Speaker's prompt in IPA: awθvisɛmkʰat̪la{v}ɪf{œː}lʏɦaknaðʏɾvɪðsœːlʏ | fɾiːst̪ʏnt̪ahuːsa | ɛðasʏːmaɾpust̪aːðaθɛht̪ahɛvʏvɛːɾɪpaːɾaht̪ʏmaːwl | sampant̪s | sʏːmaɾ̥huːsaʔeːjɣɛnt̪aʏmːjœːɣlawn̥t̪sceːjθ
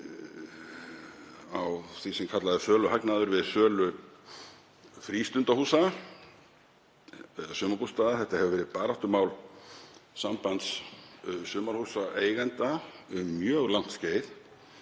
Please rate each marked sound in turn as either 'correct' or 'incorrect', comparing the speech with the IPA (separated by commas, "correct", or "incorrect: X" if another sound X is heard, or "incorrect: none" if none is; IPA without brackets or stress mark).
incorrect: ð, correct